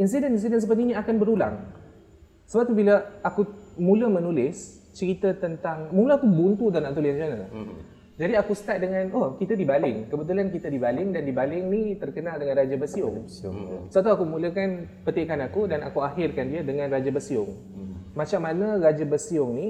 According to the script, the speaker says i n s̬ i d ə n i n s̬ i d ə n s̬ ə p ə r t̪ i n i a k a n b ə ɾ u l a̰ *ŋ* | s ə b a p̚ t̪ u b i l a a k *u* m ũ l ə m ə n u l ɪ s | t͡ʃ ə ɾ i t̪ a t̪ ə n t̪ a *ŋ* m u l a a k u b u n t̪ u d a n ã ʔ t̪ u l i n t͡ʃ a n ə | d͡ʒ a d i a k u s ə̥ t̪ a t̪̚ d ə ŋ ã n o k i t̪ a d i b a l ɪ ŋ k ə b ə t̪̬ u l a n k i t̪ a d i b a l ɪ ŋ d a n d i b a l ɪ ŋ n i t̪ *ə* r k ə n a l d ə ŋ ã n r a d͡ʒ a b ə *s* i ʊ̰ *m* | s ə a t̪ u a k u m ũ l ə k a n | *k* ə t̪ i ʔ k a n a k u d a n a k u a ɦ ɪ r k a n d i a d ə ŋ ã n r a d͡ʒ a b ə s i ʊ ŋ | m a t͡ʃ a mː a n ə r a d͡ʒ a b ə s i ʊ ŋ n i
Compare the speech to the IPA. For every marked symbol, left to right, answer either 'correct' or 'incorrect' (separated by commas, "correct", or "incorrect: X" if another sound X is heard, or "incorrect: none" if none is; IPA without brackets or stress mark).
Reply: correct, correct, correct, correct, correct, incorrect: ŋ, incorrect: p